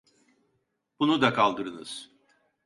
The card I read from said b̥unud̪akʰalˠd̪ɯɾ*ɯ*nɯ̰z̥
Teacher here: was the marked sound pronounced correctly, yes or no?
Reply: yes